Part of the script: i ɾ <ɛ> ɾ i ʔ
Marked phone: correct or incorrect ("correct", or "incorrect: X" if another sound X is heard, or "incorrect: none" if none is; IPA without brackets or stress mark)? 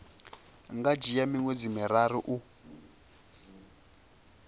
incorrect: a